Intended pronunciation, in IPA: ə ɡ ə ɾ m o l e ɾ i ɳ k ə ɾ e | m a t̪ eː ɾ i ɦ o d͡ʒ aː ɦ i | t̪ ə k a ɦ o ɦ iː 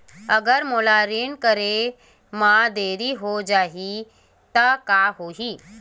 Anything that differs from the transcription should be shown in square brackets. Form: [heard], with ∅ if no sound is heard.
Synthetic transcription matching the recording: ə ɡ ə ɾ m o l [a] ɾ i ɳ k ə ɾ e | m a [d̪] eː ɾ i ɦ o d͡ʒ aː ɦ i | t̪ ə k a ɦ o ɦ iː